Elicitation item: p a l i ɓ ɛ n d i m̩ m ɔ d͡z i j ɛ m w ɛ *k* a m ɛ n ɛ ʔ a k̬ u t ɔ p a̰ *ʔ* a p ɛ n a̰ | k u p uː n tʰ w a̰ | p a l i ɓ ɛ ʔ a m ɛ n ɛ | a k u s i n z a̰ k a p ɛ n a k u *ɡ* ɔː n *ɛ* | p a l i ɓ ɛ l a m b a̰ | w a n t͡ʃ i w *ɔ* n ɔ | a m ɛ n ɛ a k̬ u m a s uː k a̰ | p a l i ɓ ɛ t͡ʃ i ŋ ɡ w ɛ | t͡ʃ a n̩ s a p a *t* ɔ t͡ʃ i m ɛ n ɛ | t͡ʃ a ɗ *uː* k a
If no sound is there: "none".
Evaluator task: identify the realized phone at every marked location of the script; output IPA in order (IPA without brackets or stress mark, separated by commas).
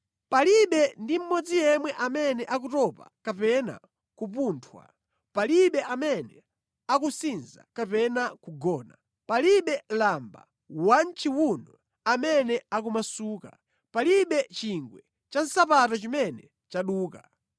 ʔ, k, ɡ, a, u, t, uː